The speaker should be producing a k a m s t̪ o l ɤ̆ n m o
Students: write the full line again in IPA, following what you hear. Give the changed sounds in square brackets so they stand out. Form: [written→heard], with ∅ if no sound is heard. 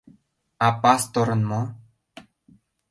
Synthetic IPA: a [k→p] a [m→∅] s t̪ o [l→ɾ] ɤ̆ n m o